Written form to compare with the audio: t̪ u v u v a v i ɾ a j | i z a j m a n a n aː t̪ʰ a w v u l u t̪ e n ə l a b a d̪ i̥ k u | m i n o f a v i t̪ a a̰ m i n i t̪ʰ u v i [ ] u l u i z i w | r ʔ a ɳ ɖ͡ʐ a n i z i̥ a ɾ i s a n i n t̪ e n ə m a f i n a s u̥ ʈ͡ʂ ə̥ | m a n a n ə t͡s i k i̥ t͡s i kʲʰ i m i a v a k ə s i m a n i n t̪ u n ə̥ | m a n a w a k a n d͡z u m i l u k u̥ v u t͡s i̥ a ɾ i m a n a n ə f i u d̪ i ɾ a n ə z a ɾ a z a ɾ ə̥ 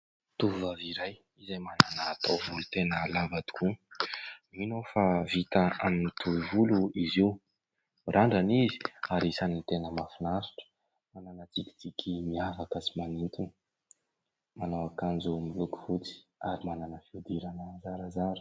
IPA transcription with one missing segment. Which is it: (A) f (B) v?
B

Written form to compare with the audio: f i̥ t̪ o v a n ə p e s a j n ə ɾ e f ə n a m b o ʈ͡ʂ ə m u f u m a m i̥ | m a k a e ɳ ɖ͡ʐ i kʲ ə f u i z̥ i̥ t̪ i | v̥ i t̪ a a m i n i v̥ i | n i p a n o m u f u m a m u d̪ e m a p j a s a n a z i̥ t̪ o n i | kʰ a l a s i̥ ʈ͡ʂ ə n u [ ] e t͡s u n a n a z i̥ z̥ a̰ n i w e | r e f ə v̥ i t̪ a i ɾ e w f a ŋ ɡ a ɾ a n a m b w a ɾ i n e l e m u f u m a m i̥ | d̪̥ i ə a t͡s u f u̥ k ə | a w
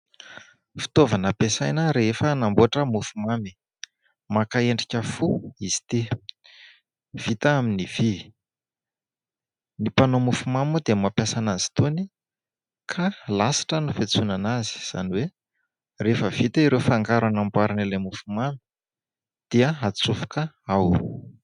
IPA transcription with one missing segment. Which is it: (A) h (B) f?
B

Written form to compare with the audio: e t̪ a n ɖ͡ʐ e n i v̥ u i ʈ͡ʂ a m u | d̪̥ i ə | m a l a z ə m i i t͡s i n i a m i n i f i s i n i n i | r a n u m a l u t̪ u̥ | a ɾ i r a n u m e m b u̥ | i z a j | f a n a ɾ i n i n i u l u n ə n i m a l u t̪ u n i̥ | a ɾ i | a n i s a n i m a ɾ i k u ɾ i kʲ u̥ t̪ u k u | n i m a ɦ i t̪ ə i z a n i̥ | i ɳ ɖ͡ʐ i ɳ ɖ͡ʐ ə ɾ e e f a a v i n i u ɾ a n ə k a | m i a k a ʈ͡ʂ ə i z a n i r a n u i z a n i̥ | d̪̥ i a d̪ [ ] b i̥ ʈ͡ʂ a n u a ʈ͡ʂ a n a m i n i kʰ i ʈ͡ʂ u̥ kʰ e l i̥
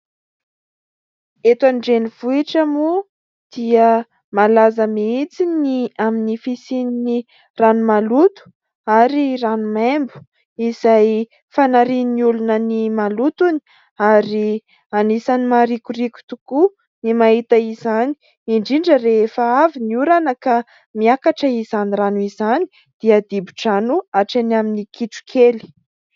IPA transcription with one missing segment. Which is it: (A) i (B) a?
A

